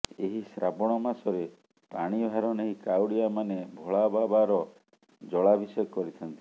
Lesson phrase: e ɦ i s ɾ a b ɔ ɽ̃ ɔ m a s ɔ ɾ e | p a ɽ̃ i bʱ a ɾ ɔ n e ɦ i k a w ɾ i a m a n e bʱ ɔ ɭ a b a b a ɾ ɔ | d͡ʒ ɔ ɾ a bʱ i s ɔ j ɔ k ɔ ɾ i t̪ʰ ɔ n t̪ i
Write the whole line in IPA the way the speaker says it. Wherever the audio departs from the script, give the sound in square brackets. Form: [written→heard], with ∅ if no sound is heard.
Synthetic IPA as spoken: e ɦ i s ɾ a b ɔ ɽ̃ ɔ m a s ɔ ɾ e | p a ɽ̃ i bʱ a ɾ ɔ n e ɦ i k a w [ɾ→ɽ] i a m a n e bʱ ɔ ɭ a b a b a ɾ ɔ | d͡ʒ ɔ [ɾ→ɭ] a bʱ i s ɔ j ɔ k ɔ ɾ i t̪ʰ ɔ n t̪ i

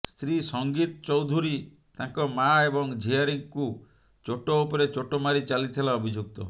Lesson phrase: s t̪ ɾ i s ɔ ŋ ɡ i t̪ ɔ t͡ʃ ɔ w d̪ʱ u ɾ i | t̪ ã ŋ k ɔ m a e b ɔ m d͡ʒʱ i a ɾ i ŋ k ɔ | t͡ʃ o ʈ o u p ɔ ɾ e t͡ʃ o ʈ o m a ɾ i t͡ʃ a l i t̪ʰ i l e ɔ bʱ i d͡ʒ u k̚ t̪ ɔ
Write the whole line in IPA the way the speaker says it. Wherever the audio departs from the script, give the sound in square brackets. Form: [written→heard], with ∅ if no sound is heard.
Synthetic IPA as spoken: s t̪ ɾ i s ɔ ŋ ɡ i t̪ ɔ t͡ʃ ɔ w d̪ʱ u ɾ i | t̪ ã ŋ k ɔ m a e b ɔ [m→ŋ] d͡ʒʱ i a ɾ i ŋ k [ɔ→u] | t͡ʃ o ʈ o u p ɔ ɾ e t͡ʃ o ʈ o m a ɾ i t͡ʃ a l i t̪ʰ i l [e→a] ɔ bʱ i d͡ʒ u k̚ t̪ ɔ

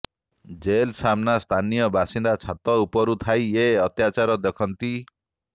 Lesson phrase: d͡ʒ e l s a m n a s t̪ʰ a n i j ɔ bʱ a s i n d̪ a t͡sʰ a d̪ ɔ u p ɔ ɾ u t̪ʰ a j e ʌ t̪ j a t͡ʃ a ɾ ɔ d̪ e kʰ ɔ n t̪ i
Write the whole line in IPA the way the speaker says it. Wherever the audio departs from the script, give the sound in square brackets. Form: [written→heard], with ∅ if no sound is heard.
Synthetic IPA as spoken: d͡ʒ e l s a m n a s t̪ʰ a n i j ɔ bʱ a s i n d̪ a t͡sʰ a [d̪→t̪] ɔ u p ɔ ɾ u t̪ʰ a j e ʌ t̪ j a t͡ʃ a ɾ ɔ d̪ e kʰ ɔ n t̪ i

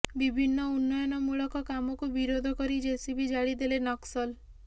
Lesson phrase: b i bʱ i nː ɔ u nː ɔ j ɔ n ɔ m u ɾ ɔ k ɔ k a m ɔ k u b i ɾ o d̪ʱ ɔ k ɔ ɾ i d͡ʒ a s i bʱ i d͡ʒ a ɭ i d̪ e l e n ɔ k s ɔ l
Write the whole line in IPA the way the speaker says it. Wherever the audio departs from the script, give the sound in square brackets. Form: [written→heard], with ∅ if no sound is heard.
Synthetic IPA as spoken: b i bʱ i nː ɔ u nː ɔ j ɔ n ɔ m u [ɾ→ɭ] ɔ k ɔ k a m ɔ k u b i ɾ o d̪ʱ ɔ k ɔ ɾ i d͡ʒ [a→e] s i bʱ i d͡ʒ a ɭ i d̪ e l e n ɔ k s ɔ l

